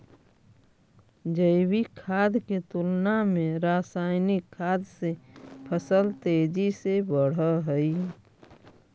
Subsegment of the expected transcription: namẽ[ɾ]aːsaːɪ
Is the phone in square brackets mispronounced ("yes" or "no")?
no